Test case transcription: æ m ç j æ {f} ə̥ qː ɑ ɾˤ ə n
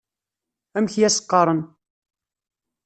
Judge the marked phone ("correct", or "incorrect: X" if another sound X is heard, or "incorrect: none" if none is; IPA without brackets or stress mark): incorrect: s